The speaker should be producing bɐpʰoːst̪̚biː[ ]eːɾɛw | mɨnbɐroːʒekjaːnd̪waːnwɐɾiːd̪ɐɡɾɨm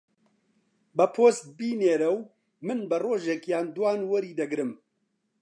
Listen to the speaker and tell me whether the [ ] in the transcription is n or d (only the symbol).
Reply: n